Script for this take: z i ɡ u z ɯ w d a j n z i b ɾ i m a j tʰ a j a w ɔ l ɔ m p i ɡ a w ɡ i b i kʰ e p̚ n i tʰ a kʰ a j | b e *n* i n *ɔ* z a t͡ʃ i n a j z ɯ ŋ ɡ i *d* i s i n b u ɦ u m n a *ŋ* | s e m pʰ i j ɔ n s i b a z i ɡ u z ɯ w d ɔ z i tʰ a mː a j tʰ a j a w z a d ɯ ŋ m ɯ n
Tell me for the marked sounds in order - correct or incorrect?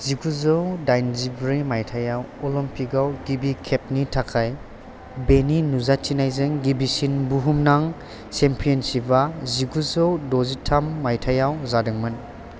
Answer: correct, incorrect: u, incorrect: b, correct

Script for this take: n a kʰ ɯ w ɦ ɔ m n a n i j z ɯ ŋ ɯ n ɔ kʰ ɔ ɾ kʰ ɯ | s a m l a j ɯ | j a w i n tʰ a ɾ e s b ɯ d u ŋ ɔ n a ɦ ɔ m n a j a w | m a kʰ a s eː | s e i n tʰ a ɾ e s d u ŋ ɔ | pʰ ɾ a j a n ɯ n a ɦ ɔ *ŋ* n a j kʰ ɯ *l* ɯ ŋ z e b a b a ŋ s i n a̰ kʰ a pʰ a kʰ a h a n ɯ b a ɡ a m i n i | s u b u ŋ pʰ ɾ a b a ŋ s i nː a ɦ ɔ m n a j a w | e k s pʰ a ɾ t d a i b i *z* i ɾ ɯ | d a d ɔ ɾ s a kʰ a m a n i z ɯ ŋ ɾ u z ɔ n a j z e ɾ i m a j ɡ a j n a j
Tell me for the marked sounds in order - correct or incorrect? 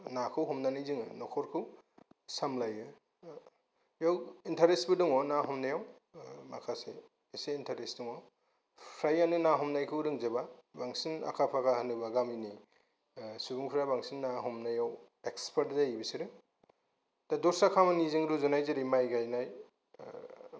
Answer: incorrect: m, incorrect: ɾ, incorrect: s

